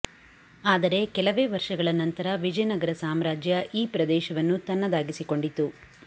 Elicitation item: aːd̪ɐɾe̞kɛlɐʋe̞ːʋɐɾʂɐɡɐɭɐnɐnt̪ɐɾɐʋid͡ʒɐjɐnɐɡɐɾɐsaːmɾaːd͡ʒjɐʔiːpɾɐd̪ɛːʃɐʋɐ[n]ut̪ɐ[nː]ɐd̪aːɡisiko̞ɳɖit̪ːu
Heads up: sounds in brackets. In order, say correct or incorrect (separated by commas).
incorrect, correct